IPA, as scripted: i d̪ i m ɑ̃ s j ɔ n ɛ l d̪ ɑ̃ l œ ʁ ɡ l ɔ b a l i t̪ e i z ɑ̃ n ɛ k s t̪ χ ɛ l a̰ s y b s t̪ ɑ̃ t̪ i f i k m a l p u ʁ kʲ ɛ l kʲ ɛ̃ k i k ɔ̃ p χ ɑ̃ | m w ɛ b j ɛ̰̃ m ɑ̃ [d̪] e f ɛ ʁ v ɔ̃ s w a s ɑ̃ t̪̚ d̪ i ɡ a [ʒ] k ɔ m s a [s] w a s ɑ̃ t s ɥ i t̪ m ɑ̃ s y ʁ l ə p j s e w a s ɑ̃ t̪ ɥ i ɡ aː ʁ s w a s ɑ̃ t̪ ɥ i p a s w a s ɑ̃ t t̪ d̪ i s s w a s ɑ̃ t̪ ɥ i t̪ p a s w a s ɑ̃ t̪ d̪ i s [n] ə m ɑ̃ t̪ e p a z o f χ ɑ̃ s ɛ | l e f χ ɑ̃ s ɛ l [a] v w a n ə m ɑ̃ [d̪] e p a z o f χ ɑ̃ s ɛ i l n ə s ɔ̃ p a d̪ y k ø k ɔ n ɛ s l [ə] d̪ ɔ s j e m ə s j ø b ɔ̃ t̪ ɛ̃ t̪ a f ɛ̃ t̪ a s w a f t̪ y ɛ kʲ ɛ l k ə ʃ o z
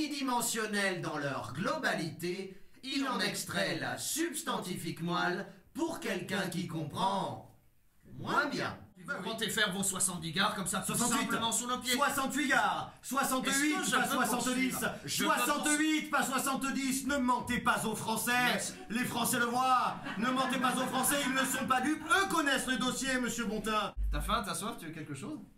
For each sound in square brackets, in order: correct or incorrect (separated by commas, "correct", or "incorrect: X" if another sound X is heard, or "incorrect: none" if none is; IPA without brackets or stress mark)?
incorrect: t̪, incorrect: ʁ, correct, correct, incorrect: ə, incorrect: t̪, correct